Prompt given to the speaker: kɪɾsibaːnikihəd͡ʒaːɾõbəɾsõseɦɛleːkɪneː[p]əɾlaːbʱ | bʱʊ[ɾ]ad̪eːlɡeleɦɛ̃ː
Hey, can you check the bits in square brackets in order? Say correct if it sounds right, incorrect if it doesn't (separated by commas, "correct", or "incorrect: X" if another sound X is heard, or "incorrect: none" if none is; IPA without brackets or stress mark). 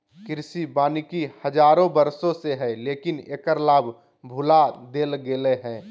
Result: incorrect: k, incorrect: l